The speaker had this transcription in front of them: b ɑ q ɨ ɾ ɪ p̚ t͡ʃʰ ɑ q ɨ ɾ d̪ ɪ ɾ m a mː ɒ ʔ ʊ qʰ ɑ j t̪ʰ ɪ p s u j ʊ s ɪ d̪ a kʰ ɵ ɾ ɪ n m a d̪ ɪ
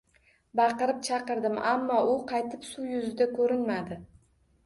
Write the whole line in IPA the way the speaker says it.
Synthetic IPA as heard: b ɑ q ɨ ɾ ɪ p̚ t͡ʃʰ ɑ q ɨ ɾ d̪ ɪ m a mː ɒ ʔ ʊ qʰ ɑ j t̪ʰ ɪ p s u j ʊ z ɪ d̪ a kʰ ɵ ɾ ɪ n m a d̪ ɪ